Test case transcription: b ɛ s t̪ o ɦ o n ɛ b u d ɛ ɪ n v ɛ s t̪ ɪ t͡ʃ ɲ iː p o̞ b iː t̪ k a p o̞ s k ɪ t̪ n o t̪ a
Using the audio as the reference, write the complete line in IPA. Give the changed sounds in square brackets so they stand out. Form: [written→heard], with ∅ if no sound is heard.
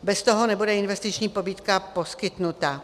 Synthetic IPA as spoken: b ɛ s t̪ o ɦ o n ɛ b u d ɛ ɪ n v ɛ s t̪ ɪ t͡ʃ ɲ iː p o̞ b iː t̪ k a p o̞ s k ɪ t̪ n [o→u] t̪ a